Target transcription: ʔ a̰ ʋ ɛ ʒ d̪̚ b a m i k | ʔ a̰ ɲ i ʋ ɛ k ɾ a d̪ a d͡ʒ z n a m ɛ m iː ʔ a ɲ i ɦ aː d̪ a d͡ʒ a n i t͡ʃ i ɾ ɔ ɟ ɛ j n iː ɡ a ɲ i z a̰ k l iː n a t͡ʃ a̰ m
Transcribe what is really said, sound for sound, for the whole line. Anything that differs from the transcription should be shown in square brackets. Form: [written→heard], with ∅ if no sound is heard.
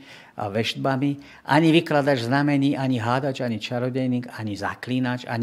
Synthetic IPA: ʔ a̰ ʋ ɛ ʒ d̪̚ b a m i [k→∅] | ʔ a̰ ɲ i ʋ [ɛ→i] k [ɾ→l] a d̪ a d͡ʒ z n a m ɛ [m→ɲ] iː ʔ a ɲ i ɦ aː d̪ a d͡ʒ a [n→ɲ] i t͡ʃ [i→a] ɾ ɔ ɟ ɛ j n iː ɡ a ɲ i z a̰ k l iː n a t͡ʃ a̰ [m→ɲ]